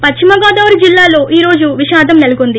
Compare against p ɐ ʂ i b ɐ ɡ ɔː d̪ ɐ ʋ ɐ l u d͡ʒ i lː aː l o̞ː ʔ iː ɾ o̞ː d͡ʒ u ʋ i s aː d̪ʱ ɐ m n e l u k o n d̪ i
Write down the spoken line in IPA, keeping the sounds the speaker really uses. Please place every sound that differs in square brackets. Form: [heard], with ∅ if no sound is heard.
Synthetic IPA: p ɐ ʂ i [m] ɐ ɡ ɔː d̪ ɐ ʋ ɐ [ɾ] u d͡ʒ i lː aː l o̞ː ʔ iː ɾ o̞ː d͡ʒ u ʋ i [ʃ] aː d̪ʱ ɐ m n e l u k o n d̪ i